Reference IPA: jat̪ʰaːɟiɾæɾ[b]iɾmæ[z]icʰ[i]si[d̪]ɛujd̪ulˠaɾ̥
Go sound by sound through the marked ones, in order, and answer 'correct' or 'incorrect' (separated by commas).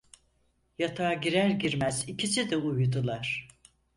incorrect, correct, correct, correct